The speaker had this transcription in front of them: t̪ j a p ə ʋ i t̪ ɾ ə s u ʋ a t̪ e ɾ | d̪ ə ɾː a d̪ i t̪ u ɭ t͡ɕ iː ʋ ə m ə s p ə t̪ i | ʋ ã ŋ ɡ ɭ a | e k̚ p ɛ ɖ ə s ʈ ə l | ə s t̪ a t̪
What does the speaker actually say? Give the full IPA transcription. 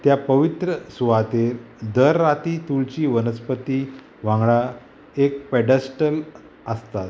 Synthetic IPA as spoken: t̪ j a p ə ʋ i t̪ ɾ ə s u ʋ a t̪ e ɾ | d̪ ə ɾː a t̪ i t̪ u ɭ t͡ɕ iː ʋ ə n ə s p ə t̪ i | ʋ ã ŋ ɡ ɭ a | e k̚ p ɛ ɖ ə s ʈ ə l | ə s t̪ a t̪